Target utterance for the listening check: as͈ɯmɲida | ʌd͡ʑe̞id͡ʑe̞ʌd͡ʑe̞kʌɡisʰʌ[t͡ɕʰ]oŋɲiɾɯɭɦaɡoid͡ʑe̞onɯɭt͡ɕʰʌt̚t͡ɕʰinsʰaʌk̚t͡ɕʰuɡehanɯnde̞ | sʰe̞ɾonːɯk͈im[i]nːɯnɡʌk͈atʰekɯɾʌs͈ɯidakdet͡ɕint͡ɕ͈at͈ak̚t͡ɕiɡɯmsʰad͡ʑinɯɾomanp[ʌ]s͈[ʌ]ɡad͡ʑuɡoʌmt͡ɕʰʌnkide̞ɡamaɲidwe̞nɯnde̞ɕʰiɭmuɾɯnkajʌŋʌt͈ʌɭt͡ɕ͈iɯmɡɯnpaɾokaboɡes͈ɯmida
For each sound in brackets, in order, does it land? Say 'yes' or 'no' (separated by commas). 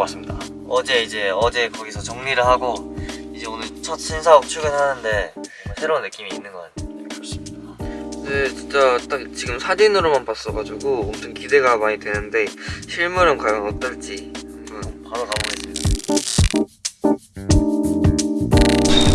no, no, no, yes